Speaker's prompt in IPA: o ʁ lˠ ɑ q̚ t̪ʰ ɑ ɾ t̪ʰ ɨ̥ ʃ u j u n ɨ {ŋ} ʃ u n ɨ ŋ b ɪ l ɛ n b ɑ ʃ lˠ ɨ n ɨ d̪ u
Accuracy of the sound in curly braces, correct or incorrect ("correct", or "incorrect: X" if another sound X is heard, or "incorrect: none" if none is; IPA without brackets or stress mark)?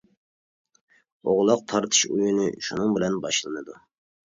incorrect: none